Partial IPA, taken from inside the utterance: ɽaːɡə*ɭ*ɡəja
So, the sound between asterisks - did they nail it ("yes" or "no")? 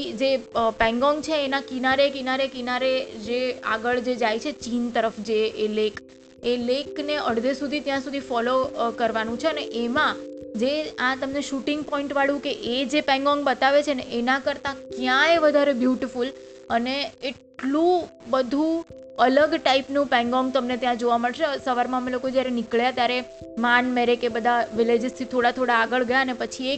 yes